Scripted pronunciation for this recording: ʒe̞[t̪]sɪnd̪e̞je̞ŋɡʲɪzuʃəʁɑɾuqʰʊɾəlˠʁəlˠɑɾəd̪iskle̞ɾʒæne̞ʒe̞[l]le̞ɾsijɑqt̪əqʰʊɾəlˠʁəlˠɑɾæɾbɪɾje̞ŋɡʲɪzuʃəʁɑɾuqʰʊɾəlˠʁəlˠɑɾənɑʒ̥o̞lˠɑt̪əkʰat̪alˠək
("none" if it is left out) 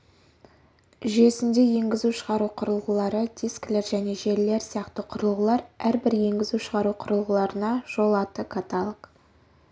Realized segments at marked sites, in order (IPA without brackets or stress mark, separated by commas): none, ɾ